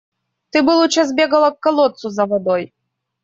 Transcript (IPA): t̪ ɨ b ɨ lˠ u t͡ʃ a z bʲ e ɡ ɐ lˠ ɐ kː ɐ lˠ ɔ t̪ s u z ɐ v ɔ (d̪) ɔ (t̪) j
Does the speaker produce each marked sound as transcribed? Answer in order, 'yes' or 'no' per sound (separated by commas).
yes, no